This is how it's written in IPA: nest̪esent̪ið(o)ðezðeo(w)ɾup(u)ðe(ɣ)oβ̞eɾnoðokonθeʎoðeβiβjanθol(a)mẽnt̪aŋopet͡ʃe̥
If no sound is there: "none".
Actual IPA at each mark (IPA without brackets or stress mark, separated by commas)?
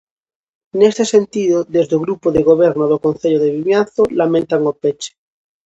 o, ɣ, o, ɣ, a